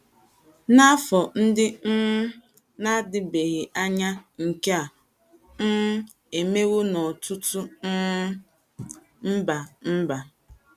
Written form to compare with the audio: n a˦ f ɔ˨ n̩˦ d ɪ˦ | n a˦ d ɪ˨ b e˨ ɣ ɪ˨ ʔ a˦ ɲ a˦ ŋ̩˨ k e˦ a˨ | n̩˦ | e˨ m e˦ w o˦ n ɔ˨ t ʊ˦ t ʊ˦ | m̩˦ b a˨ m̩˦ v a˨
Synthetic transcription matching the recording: n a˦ f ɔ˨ n̩˦ d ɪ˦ | n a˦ d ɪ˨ b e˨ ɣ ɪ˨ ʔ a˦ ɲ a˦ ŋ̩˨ k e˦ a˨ | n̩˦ | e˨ m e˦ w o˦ n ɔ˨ t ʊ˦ t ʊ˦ | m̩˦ b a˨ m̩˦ b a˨